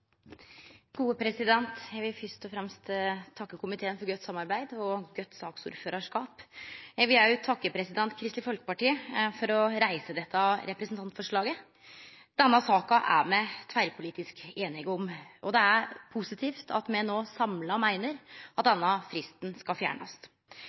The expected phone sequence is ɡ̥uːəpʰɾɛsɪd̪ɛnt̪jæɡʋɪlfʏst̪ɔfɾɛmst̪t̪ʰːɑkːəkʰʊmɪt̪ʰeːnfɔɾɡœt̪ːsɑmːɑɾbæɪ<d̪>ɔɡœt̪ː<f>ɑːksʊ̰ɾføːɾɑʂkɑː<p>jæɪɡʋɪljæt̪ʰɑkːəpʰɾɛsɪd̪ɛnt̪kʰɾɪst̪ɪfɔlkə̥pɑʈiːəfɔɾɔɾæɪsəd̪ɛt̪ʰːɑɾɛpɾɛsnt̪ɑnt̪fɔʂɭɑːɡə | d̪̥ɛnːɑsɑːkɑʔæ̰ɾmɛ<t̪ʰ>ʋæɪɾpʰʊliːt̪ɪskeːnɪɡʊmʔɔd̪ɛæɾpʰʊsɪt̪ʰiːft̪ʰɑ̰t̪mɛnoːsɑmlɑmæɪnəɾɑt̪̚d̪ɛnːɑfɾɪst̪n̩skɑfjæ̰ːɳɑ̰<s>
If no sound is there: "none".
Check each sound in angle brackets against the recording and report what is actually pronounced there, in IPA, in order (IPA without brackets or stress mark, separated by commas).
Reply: d̪, s, p, t̪ʰ, s